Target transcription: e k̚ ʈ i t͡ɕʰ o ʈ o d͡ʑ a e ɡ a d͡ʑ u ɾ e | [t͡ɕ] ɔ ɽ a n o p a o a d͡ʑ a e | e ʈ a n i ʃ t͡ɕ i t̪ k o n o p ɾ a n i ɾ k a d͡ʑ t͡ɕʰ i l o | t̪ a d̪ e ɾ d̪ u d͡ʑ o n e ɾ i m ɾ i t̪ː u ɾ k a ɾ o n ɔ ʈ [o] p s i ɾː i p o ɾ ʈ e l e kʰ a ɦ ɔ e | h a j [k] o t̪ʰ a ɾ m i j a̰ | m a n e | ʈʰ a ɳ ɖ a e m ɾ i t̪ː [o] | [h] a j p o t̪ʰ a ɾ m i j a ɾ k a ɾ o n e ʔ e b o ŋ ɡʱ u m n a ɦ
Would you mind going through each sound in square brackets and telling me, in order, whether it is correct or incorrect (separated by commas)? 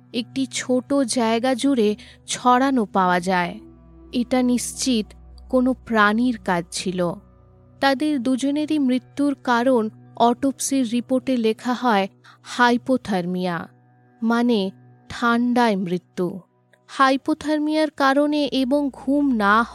incorrect, correct, incorrect, incorrect, correct